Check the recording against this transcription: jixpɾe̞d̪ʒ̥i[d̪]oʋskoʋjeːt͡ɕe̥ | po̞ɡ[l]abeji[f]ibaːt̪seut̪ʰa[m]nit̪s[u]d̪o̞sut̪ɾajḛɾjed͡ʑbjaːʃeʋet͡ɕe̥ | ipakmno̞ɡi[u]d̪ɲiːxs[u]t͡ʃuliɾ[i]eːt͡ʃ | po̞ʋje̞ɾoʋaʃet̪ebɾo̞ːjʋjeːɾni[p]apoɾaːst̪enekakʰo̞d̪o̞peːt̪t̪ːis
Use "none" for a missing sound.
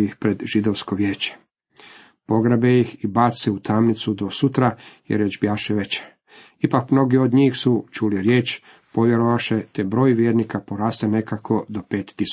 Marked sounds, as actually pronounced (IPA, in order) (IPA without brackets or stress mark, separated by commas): d̪, ɾ, x, m, u, o, u, j, k